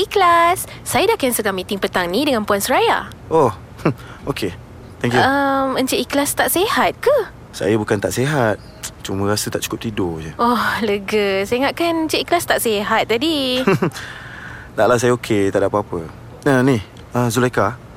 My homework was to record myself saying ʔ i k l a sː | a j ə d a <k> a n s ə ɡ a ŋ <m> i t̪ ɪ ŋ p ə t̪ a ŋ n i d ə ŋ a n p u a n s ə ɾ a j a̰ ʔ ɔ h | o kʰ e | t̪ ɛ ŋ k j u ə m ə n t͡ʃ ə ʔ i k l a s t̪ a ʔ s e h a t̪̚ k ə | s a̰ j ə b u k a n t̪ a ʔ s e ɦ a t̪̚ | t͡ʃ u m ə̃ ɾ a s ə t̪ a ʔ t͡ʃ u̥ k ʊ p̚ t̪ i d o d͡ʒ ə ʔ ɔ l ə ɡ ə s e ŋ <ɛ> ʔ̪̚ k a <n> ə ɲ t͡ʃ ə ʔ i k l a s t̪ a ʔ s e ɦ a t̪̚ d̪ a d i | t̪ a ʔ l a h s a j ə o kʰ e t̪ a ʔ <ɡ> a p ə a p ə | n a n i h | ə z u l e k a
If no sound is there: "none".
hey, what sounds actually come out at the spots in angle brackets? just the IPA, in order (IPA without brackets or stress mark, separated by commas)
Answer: k, m, a, n, d